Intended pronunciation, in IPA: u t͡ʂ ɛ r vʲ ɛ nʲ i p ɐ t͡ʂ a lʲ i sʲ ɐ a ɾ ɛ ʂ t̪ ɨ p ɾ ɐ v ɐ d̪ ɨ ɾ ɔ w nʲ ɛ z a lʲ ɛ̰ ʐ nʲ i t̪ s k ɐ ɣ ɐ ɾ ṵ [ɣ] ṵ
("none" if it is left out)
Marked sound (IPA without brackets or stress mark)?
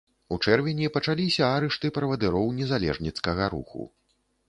x